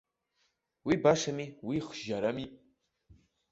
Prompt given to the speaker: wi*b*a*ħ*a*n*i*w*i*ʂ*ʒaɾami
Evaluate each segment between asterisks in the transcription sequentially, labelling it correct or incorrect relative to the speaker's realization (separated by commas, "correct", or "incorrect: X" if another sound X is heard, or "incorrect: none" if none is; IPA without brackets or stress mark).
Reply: correct, incorrect: ʂ, incorrect: m, correct, incorrect: χ